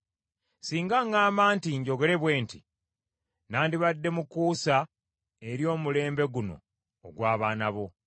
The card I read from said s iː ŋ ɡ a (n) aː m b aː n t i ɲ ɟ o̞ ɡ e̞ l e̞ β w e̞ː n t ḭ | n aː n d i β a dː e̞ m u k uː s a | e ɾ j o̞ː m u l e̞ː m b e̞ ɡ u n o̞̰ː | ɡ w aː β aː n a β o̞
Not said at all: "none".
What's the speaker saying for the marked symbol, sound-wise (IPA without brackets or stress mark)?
ŋ